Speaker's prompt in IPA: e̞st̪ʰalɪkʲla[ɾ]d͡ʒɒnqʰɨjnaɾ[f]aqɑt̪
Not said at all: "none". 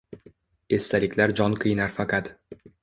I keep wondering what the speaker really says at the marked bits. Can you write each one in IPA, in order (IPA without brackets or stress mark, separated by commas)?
ɾ, f